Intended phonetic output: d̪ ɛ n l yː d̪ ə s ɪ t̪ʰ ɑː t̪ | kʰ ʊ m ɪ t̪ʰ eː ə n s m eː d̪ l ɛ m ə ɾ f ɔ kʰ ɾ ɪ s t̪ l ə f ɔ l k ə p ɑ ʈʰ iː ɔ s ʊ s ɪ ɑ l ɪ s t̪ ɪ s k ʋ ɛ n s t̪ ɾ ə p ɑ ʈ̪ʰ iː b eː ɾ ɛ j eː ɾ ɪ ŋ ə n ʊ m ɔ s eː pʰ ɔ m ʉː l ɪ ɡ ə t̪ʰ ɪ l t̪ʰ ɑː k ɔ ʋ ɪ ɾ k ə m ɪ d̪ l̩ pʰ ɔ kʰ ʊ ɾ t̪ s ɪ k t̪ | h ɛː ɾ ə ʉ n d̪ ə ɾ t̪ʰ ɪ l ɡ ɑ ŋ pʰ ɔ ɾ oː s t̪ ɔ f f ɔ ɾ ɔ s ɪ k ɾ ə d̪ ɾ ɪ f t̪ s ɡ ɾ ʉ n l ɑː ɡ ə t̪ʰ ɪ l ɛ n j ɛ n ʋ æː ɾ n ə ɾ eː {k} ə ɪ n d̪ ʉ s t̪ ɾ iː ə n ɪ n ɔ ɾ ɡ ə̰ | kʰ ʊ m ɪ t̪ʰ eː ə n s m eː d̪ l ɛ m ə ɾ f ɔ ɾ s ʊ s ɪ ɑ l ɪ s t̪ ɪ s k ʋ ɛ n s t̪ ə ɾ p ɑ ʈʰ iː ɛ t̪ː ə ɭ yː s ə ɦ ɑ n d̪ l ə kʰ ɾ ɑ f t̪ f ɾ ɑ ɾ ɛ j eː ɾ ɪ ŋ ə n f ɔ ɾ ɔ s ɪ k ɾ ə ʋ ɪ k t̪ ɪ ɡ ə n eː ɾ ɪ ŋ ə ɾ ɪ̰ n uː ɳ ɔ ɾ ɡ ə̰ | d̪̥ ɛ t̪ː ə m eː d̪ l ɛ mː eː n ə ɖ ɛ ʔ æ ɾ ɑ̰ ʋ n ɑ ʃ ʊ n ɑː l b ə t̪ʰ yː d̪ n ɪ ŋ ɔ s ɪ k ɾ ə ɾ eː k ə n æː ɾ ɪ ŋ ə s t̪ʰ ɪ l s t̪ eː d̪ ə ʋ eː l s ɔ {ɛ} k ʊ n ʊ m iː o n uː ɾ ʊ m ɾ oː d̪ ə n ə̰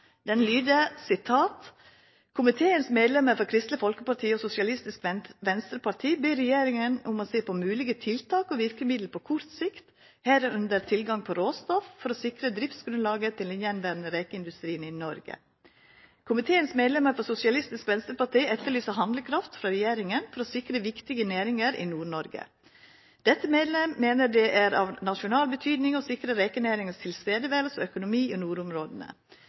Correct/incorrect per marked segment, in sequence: correct, incorrect: œ

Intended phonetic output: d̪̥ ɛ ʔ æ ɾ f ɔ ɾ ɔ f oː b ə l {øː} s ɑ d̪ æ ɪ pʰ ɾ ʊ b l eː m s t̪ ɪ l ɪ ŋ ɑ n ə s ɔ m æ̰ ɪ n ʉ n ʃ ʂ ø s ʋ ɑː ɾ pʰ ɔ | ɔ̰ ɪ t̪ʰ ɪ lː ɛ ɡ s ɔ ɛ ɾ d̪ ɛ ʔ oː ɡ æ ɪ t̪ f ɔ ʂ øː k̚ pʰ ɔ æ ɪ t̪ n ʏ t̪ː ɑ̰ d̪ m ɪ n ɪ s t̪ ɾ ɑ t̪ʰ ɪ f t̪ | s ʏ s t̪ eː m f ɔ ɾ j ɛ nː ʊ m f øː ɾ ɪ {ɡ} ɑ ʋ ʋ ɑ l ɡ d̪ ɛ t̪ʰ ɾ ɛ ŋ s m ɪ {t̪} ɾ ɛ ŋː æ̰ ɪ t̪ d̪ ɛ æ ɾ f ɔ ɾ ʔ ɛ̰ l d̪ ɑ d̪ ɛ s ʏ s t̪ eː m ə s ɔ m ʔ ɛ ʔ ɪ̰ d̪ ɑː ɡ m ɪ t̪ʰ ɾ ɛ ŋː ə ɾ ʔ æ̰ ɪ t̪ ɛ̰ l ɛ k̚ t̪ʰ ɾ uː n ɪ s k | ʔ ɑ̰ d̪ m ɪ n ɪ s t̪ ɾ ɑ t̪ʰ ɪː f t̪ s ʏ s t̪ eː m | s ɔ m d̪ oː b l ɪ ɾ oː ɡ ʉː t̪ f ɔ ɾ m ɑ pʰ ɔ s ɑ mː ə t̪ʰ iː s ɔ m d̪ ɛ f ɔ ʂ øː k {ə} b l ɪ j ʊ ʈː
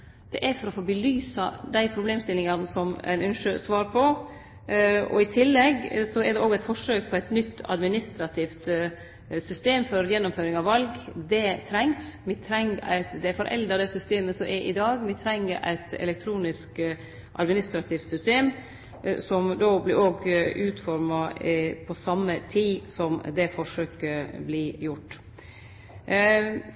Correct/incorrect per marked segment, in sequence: incorrect: yː, incorrect: ŋ, incorrect: t̪ʰ, correct

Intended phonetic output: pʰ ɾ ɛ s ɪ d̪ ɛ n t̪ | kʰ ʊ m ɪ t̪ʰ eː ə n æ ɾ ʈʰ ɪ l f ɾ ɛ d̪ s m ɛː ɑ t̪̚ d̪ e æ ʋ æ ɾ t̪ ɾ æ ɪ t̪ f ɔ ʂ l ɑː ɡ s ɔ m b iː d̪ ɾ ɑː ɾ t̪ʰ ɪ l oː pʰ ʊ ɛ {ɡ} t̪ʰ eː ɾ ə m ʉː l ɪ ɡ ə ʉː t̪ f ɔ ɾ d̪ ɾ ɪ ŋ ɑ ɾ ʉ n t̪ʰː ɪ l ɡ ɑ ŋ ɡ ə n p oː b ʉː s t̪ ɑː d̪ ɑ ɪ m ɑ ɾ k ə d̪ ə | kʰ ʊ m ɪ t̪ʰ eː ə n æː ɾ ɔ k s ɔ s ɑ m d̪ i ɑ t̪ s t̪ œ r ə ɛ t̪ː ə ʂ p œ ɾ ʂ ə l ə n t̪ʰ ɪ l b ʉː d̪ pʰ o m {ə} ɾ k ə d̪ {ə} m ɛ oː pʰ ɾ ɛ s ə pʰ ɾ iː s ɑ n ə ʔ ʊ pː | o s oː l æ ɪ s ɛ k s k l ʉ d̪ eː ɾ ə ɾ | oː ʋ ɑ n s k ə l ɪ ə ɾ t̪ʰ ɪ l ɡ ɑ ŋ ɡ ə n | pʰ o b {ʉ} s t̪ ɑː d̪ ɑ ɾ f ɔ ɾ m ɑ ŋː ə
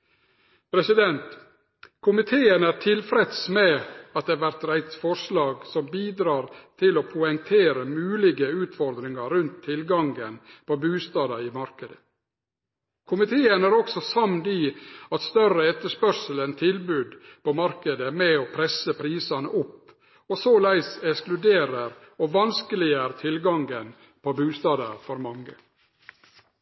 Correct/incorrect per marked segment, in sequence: incorrect: ŋ, incorrect: ɑ, correct, incorrect: ʉː

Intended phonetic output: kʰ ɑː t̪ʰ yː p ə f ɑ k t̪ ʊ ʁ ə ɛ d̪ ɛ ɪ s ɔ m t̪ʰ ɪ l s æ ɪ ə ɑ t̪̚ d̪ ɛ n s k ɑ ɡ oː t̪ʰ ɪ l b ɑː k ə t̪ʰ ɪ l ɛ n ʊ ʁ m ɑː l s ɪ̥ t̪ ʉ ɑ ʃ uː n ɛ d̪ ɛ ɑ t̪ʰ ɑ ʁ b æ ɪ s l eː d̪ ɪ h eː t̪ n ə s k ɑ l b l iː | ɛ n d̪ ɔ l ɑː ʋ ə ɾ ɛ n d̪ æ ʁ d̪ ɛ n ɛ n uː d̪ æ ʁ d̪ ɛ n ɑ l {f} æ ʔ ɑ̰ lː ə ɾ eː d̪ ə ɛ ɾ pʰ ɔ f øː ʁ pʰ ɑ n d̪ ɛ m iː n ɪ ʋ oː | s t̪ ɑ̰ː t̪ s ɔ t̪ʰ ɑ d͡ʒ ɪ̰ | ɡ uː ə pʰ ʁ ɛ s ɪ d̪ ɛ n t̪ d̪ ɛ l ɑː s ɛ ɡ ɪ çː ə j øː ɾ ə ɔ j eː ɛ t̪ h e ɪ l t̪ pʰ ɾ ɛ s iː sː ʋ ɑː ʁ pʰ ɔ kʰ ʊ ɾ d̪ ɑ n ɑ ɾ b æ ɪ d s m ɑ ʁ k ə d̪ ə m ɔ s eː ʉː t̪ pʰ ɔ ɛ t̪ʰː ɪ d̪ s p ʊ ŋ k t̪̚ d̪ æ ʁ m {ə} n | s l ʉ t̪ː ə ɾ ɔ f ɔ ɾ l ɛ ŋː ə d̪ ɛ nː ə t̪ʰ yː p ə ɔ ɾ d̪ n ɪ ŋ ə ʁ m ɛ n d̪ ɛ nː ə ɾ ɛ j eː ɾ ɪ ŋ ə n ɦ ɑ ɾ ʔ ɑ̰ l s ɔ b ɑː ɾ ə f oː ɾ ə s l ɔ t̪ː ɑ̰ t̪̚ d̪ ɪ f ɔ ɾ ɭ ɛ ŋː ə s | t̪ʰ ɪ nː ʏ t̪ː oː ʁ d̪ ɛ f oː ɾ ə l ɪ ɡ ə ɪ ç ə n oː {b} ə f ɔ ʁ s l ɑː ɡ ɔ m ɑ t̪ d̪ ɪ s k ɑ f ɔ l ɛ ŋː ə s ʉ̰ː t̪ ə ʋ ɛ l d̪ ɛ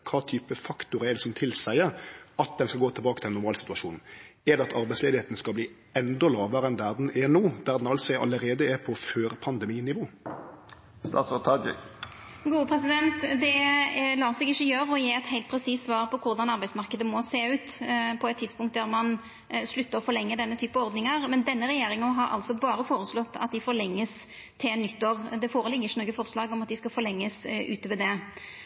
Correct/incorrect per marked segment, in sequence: incorrect: s, incorrect: ɑ, incorrect: ɡ

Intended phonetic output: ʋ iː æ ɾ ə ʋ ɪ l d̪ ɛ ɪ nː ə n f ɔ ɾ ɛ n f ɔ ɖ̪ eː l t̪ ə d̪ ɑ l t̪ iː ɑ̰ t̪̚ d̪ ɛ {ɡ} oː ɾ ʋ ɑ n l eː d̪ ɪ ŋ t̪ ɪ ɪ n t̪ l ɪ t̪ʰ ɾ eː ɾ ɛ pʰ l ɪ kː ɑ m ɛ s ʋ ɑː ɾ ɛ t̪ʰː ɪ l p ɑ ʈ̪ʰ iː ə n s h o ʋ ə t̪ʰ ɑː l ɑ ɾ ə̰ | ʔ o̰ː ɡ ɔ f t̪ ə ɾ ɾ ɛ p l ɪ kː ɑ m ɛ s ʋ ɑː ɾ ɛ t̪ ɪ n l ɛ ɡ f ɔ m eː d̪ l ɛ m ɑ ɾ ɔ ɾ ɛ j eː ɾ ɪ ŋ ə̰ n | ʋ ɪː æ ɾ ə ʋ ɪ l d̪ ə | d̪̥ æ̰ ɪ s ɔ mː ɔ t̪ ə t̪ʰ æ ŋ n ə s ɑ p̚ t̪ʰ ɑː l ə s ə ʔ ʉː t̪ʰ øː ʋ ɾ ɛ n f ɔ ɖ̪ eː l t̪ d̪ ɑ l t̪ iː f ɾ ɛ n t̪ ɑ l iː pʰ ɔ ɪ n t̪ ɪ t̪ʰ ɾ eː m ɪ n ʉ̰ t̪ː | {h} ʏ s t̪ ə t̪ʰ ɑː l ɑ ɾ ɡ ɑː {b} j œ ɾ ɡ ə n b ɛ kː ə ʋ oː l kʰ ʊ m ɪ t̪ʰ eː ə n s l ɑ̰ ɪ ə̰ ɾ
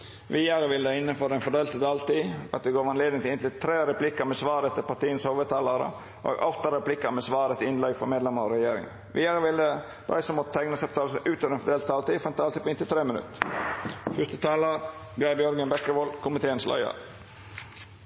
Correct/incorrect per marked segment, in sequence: correct, incorrect: f, correct

